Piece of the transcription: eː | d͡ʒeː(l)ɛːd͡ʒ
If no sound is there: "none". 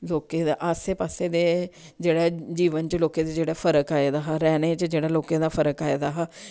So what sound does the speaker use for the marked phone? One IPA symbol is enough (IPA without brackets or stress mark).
ɽ